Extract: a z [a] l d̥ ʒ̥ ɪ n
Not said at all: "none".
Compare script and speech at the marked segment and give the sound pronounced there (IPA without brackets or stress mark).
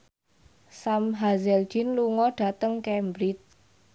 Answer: ɛ